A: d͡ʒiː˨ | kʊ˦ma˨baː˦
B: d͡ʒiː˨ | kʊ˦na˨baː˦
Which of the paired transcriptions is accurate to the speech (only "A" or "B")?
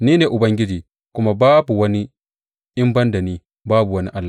A